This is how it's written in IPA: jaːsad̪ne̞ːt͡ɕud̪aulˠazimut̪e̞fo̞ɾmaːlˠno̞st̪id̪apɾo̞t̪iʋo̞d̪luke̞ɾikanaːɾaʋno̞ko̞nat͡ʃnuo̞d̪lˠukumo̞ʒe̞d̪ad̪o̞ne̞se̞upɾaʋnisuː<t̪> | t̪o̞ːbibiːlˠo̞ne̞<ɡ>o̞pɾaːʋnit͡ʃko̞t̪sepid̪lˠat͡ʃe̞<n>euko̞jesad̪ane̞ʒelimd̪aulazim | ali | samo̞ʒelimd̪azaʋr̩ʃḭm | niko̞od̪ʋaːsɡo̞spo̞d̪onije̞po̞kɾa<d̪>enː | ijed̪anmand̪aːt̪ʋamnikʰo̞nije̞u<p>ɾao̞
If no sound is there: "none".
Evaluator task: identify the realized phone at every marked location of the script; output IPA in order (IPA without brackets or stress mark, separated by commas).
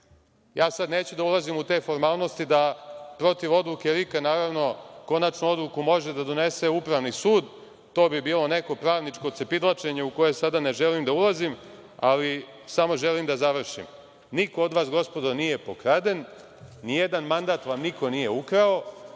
d̪, k, ɲ, d̪, k